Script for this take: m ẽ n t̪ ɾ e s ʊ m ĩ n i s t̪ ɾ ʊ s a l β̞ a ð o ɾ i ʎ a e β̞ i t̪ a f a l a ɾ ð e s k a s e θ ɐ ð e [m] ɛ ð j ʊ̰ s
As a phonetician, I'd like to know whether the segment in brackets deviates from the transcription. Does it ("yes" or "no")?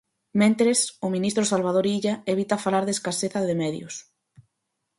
no